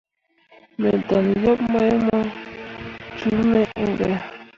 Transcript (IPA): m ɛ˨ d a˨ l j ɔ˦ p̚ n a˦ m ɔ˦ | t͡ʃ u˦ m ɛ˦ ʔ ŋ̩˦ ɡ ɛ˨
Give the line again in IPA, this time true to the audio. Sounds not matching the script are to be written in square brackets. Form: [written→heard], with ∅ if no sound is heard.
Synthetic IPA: m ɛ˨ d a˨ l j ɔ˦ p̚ [n→m] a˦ m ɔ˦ | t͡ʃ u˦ m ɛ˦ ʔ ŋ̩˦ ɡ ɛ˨